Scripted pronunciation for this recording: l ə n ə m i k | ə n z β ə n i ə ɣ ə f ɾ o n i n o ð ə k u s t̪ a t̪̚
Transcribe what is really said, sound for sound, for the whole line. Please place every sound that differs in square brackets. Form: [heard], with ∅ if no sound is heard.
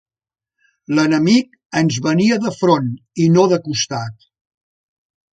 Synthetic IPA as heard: l ə n ə m i k | ə n z β ə n i ə [ð] ə f ɾ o n i n o ð ə k u s t̪ a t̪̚